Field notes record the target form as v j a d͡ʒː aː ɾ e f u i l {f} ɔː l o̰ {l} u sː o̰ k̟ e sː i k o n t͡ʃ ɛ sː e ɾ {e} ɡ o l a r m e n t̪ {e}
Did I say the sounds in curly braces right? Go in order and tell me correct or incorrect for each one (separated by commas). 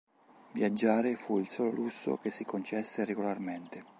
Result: incorrect, correct, correct, correct